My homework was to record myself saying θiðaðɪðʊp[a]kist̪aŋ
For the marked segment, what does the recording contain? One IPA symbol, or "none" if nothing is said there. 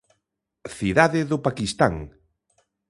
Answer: a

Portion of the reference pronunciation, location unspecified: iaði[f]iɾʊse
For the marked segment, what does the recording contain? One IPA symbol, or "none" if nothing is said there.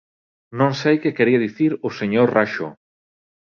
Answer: θ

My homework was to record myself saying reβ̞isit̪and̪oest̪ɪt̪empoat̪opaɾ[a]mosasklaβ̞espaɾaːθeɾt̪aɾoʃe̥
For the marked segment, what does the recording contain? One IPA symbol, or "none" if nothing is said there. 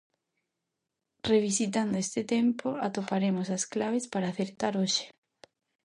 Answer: e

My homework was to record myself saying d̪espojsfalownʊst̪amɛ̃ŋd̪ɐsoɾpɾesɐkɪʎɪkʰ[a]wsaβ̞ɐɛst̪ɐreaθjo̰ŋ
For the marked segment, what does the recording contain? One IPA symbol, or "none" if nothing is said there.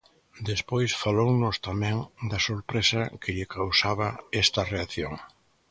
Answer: a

